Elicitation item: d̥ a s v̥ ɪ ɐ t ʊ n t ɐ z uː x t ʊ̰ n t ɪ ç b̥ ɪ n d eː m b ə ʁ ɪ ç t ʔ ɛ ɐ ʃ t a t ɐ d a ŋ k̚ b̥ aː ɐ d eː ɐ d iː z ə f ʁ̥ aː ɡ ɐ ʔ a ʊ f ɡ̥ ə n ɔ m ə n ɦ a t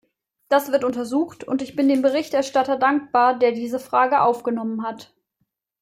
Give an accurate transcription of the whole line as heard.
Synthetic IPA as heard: d̥ a s v̥ ɪ ɐ t ʊ n t ɐ z uː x t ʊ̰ n t ɪ ç b̥ ɪ n d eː m b ə ʁ ɪ ç t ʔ ɛ ɐ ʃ t a t ɐ d a ŋ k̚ b̥ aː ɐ d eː ɐ d iː z ə f ʁ̥ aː ɡ ə ʔ a ʊ f ɡ̥ ə n ɔ m ə n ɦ a t